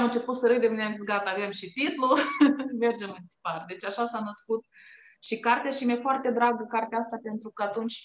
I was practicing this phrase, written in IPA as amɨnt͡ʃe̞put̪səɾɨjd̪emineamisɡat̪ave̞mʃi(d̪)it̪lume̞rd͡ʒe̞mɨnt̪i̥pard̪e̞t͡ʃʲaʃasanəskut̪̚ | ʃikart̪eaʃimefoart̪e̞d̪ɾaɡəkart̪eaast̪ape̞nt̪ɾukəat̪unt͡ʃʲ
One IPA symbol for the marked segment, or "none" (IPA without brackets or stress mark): t̪